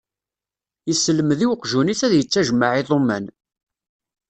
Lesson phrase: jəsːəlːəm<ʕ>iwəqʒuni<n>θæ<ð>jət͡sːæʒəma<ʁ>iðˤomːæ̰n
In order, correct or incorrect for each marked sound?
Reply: incorrect: ð, incorrect: none, correct, incorrect: ʕ

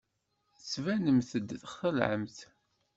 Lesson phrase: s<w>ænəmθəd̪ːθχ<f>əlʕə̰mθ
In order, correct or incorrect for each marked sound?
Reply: incorrect: v, incorrect: θ

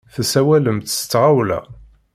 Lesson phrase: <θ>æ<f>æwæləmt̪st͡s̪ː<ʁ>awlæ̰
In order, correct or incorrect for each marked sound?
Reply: correct, incorrect: s, correct

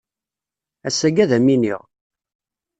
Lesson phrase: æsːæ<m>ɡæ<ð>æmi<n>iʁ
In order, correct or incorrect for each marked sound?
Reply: incorrect: none, correct, correct

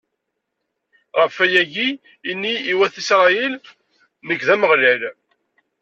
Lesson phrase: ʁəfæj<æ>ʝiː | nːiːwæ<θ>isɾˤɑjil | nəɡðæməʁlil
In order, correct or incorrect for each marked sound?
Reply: correct, correct

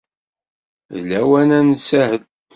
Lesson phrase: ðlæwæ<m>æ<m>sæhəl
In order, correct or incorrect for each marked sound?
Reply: incorrect: n, incorrect: n

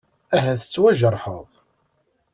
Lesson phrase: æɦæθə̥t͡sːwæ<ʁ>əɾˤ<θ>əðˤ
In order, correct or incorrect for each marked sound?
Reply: incorrect: ʒ, incorrect: ħ

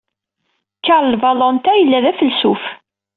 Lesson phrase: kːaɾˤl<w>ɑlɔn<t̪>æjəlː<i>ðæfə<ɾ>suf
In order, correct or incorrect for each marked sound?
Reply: incorrect: v, correct, incorrect: æ, incorrect: l

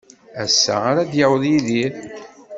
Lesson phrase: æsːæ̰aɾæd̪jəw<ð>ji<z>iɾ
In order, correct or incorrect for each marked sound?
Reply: correct, incorrect: ð

